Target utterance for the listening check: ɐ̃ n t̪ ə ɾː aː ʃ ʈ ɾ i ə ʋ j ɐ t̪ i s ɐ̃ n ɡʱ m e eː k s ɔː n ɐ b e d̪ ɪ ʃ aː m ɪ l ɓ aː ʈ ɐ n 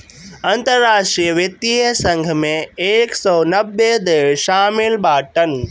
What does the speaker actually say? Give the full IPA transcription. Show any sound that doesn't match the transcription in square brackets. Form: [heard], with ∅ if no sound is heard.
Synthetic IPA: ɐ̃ n t̪ ə ɾː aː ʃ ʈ ɾ i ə ʋ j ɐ t̪ i s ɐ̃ [ŋ] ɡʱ m [ẽ] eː k s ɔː n ɐ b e d̪ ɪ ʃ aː m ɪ l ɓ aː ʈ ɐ n

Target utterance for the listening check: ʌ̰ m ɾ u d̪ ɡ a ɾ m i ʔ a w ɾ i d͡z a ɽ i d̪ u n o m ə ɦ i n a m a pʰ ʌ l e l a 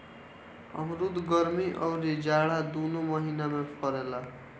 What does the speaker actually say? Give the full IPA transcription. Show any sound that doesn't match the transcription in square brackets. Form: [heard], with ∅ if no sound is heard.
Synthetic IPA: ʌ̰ m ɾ u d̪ ɡ [ʌ] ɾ m i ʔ [ʌ] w ɾ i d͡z a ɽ [a] d̪ u n o m [ʌ] ɦ i n a m a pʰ ʌ [ɾ] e l a

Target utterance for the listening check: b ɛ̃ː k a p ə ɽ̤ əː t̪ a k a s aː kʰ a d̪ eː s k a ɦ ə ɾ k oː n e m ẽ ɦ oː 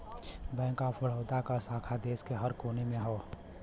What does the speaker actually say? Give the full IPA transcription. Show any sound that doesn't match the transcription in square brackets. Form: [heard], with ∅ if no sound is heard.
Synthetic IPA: b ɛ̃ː k a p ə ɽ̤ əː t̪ a k a s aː kʰ a d̪ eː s k [e] ɦ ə ɾ k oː n e m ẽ ɦ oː

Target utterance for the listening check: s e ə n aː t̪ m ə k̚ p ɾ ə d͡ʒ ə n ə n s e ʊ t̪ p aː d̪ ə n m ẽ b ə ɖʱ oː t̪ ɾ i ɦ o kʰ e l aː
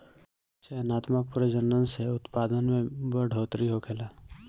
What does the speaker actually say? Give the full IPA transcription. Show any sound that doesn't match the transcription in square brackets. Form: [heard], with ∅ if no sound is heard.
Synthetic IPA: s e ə n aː t̪ m ə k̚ p ɾ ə d͡ʒ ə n ə n s e ʊ t̪ p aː d̪ ə n m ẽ b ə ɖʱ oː t̪ ɾ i ɦ o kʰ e l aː

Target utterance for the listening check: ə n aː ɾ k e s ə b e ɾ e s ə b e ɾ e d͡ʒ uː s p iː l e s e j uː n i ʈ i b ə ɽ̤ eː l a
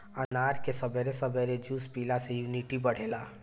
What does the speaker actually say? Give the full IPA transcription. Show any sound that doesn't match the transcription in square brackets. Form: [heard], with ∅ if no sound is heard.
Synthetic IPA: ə n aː ɾ k e s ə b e ɾ e s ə b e ɾ e d͡ʒ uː s p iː l [a] s e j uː n i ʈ i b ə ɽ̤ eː l a

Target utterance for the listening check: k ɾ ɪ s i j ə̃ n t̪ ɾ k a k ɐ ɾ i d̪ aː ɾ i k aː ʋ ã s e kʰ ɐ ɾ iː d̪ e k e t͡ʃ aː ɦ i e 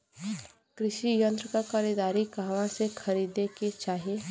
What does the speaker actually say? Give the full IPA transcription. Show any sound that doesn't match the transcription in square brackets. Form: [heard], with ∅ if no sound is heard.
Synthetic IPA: k ɾ ɪ [ʃ] i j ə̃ n t̪ ɾ k a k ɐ ɾ i d̪ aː ɾ i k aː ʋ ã s e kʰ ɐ ɾ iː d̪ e k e t͡ʃ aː ɦ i e

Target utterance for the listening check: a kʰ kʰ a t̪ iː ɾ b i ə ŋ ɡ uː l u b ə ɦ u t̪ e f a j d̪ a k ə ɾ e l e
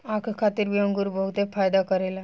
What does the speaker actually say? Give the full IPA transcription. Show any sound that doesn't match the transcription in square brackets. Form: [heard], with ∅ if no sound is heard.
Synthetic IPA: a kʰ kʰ a t̪ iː ɾ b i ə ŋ ɡ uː [ɾ] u b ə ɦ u t̪ e f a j d̪ a k ə ɾ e l [a]

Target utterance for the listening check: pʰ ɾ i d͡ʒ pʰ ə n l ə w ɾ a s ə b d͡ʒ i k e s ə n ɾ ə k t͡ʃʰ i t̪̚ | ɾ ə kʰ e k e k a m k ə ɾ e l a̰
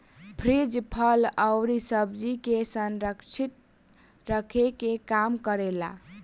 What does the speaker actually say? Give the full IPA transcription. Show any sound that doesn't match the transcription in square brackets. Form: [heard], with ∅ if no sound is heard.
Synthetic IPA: pʰ ɾ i d͡ʒ pʰ ə [∅] l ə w ɾ [i] s ə b d͡ʒ i k e s ə n ɾ ə k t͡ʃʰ i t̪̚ | ɾ ə kʰ e k e k a m k ə ɾ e l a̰

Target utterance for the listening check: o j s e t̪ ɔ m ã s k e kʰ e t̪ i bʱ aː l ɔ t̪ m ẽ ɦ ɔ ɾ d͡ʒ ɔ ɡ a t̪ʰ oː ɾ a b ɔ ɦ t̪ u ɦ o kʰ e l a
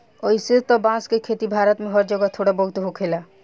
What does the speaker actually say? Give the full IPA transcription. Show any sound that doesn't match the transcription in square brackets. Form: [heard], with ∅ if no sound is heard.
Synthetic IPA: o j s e t̪ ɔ [b] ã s k e kʰ e t̪ i bʱ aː [ɾ] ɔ t̪ m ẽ ɦ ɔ ɾ d͡ʒ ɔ ɡ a t̪ʰ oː [ɽ] a b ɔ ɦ t̪ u ɦ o kʰ e l a

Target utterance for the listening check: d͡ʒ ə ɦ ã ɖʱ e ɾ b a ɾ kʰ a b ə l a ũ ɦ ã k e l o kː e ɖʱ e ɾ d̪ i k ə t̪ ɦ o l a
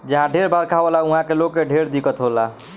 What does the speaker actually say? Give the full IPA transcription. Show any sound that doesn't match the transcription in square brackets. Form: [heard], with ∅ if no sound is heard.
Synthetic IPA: d͡ʒ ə ɦ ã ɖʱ e ɾ b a ɾ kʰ a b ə l a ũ ɦ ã k e l o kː e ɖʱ e ɾ d̪ i k ə t̪ ɦ o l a

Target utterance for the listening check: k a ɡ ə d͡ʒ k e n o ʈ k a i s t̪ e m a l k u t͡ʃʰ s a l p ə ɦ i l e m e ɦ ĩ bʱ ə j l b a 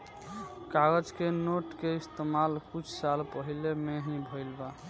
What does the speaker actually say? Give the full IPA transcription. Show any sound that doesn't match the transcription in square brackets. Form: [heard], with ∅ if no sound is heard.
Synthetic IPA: k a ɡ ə d͡ʒ k e n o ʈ k [e] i s t̪ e m a l k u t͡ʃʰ s a l p ə ɦ i l e m e ɦ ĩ bʱ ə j l b a

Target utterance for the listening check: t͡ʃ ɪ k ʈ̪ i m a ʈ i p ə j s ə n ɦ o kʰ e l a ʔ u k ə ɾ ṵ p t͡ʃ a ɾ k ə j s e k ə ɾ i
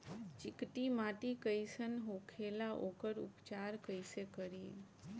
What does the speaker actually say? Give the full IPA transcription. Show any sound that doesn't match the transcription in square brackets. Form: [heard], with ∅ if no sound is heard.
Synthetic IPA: t͡ʃ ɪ k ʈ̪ i m a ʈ i [k] ə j s ə n ɦ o kʰ e l a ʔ [o] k ə ɾ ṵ p t͡ʃ a ɾ k ə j s e k ə ɾ i

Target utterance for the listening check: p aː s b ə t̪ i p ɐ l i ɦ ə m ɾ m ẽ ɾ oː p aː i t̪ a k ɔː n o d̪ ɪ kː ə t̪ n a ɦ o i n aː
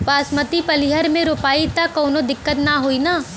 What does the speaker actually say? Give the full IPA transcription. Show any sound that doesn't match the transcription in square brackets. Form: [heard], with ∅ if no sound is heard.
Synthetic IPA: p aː s [m] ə t̪ i p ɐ l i ɦ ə [∅] ɾ m ẽ ɾ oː p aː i t̪ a k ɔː n o d̪ ɪ kː ə t̪ n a ɦ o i n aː

